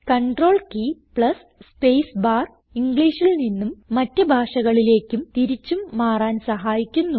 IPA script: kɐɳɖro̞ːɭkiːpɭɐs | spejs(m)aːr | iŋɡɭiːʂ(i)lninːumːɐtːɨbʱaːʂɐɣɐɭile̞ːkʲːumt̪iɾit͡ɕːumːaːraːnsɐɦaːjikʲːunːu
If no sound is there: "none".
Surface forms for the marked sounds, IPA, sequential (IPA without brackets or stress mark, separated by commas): b, i